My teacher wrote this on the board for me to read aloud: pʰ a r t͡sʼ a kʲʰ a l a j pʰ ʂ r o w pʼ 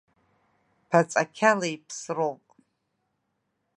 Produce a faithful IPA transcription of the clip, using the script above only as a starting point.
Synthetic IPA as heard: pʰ a t͡sʼ a kʲʰ a l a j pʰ s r o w pʼ